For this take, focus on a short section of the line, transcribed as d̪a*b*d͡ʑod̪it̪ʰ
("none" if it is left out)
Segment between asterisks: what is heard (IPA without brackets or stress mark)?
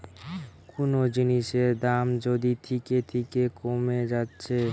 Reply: m